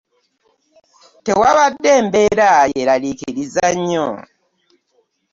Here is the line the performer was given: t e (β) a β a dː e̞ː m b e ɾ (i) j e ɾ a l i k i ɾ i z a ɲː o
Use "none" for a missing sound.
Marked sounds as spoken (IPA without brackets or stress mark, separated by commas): w, a